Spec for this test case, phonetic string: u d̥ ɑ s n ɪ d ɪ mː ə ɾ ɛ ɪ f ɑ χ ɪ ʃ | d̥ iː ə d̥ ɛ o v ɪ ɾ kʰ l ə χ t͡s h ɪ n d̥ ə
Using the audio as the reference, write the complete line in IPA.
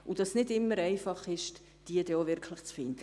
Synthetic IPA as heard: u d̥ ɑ s n ɪ d ɪ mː ə ɾ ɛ ɪ f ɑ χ ɪ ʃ | d̥ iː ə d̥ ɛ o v ɪ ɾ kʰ l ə χ t͡s f ɪ n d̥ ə